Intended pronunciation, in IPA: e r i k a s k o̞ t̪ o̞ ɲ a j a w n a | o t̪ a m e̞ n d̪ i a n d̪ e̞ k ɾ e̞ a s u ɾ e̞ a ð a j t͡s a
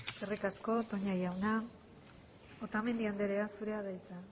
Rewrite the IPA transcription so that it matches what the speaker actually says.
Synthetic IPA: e r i k a s k o̞ t̪ o̞ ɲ a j a w n a | o t̪ a m e̞ n d̪ i a n d̪ e̞ ɾ e̞ a s u ɾ e̞ a ð a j t͡s a